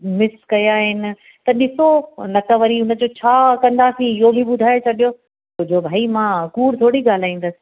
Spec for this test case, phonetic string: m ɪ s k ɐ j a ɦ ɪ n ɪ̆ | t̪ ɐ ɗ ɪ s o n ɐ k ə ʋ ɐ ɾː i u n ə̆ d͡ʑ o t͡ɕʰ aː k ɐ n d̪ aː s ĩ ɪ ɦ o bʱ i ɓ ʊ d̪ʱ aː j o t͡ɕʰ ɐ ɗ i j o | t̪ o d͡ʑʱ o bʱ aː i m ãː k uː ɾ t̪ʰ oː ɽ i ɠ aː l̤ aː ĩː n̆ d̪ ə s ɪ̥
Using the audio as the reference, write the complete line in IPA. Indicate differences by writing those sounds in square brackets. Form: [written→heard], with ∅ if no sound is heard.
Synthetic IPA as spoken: m ɪ s k ɐ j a ɦ ɪ n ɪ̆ | t̪ ɐ ɗ ɪ s o n ɐ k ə ʋ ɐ [ɾː→ɾ] i [u→ʊ] n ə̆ d͡ʑ o t͡ɕʰ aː k [ɐ→ɐ̃] n d̪ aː s ĩ ɪ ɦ o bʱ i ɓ ʊ d̪ʱ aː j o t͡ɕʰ ɐ ɗ i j o | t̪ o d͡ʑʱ o bʱ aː i m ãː k uː ɾ t̪ʰ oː ɽ i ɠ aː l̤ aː ĩː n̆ d̪ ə s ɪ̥